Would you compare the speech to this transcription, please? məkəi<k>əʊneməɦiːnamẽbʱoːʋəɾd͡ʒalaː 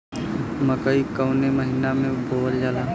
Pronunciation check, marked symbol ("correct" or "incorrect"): correct